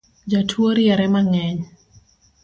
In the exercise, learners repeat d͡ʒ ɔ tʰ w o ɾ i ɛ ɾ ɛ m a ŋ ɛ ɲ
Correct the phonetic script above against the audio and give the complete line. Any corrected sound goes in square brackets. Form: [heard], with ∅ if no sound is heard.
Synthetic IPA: d͡ʒ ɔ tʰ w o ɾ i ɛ ɾ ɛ m a ŋ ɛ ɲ